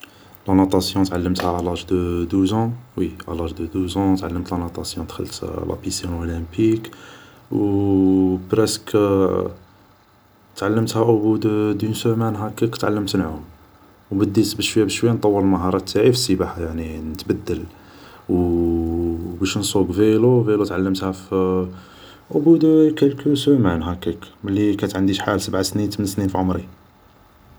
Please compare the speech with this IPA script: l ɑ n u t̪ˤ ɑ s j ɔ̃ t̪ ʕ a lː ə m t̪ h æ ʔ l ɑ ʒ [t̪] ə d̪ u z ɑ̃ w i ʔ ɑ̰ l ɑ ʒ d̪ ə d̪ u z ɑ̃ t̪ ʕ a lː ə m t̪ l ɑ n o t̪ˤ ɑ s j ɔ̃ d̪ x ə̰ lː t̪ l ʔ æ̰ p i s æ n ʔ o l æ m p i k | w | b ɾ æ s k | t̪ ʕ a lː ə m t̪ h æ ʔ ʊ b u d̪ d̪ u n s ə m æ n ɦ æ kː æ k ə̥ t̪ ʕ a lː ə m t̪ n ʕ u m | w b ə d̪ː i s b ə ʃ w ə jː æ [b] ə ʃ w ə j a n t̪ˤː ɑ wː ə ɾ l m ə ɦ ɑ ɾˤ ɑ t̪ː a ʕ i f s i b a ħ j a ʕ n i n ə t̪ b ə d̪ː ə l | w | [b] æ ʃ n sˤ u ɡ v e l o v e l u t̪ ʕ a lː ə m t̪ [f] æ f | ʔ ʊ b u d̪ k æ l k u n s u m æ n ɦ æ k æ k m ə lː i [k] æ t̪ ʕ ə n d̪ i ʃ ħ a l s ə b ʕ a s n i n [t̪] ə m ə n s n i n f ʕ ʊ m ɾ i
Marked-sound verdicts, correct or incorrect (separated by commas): incorrect, correct, correct, incorrect, correct, correct